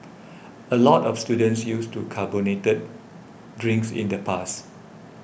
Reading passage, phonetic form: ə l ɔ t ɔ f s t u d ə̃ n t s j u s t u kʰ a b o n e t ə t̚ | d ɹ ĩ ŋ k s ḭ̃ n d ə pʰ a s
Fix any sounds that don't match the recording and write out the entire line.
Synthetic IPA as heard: ə l ɔ t ɔ f s t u d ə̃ n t s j u s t u kʰ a b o n e t ə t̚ | d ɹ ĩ ŋ k s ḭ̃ n d ə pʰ a s

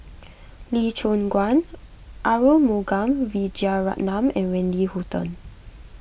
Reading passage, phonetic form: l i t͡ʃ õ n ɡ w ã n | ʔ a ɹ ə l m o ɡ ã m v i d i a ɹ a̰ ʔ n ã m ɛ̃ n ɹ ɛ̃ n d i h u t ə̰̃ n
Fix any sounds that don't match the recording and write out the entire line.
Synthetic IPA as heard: l i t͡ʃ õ n ɡ w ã n | ʔ a ɹ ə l m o ɡ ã m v i d͡ʒ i a ɹ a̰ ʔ n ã m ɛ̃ n ɹ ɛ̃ n d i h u t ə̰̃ n

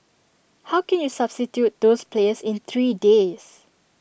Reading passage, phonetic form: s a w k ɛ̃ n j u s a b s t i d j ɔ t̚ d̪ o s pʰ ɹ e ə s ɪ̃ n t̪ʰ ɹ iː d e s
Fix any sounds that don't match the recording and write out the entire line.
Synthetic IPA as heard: h a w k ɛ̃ n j u s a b s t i t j u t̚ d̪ o s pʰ l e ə s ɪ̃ n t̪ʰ ɹ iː d e s

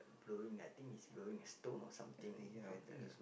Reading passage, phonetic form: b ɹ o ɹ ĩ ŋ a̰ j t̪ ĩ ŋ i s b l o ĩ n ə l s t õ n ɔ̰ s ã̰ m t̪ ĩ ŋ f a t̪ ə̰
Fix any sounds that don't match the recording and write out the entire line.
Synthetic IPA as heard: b l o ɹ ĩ ŋ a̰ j t̪ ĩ ŋ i s b l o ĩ ŋ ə s t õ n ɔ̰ s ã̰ m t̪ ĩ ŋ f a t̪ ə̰

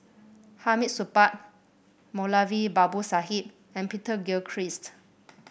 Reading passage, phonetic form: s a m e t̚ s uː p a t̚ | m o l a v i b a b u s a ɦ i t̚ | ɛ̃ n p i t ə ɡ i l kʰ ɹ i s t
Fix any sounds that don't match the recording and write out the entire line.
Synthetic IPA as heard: h a m i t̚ s u p a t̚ | m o l a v i b a b u s a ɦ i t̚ | ɛ̃ n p i t ə ɡ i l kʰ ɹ i s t

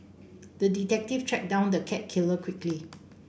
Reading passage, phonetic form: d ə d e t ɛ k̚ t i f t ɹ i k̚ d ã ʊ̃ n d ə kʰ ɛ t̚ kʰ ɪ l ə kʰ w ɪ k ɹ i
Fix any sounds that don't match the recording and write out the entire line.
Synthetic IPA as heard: d ə d i t ɛ k̚ t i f t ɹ ɛ k̚ d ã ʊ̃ n d ə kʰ ɛ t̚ kʰ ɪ l ə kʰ w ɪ k l i

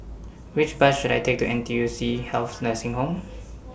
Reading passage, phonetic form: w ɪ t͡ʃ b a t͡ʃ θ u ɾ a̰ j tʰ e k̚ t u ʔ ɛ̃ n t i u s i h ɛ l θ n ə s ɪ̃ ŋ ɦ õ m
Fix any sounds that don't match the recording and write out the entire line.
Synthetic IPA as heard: w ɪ t͡ʃ b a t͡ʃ ʃ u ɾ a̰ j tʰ e k̚ t u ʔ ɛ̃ n t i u s i h ɛ l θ n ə s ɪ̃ ŋ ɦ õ m

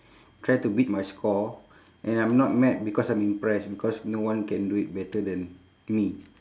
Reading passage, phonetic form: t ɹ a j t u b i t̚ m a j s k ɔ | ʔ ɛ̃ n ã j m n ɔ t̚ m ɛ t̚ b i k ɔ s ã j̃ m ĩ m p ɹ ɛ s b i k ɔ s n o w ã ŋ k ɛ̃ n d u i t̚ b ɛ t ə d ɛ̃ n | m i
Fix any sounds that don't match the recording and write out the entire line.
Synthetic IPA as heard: t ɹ a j t u b i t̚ m a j s k ɔ | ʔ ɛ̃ n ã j m n ɔ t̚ m ɛ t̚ b i k ɔ s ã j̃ m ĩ m p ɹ ɛ s b i k ɔ s n o w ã n k ɛ̃ n d u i t̚ b ɛ t ə d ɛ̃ n | m i

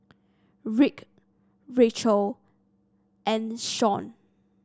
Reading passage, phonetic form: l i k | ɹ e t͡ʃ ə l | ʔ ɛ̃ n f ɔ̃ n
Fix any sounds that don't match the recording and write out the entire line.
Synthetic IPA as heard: ɹ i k | ɹ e t͡ʃ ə l | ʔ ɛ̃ n ʃ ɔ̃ n

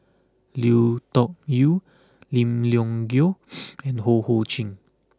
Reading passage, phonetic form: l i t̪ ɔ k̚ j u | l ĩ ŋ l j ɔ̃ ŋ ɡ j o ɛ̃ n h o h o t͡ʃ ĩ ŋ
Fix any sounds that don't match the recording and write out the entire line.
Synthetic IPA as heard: l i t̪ ɔ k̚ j u | l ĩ m l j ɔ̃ ŋ ɡ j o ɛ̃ n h o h o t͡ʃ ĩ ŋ

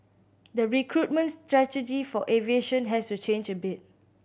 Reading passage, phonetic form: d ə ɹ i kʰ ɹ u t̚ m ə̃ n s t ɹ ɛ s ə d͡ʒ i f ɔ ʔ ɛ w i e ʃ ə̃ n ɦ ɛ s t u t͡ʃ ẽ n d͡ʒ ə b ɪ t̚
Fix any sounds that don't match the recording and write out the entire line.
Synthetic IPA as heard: d ə ɹ i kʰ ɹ u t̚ m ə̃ n s t ɹ ɛ t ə d͡ʒ i f ɔ ʔ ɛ v i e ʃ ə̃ n ɦ ɛ s t u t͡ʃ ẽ n d͡ʒ ə b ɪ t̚

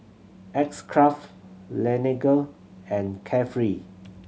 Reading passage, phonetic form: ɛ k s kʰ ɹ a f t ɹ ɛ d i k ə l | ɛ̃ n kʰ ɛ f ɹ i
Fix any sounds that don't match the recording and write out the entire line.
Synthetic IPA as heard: ɛ k s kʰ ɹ a f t l ɛ n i ɡ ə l | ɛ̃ n kʰ ɛ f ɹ i

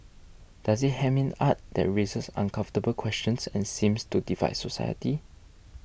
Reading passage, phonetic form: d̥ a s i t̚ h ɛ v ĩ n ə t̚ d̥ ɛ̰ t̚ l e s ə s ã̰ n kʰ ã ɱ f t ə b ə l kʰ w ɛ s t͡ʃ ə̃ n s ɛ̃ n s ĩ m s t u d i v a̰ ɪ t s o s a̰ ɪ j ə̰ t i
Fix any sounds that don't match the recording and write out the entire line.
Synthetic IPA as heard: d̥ a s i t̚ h ɛ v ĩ n a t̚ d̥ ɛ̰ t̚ ɹ e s ə s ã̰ n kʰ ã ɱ f t ə b ə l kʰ w ɛ s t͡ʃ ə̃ n s ɛ̃ n s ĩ m s t u d i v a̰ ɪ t s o s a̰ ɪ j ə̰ t i

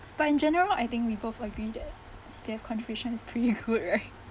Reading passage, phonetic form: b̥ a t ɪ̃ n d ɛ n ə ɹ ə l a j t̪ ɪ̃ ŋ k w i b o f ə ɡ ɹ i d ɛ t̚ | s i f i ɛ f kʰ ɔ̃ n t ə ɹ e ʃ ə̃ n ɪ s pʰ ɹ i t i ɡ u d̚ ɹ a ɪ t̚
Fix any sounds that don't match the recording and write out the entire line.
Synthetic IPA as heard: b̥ a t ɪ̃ n d͡ʒ ɛ n ə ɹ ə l a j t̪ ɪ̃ ŋ k w i b o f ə ɡ ɹ i d ɛ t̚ | s i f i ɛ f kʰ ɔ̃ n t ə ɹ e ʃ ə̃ n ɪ s pʰ ɹ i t i ɡ u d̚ ɹ a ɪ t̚

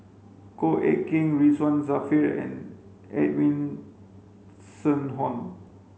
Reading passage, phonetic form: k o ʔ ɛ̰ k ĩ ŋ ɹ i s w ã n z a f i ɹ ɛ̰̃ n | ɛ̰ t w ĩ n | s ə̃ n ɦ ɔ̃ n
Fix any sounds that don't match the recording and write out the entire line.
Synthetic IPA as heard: k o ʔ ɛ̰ k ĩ ŋ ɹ i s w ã n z a f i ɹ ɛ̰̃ n | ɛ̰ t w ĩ n | s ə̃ n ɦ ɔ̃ n

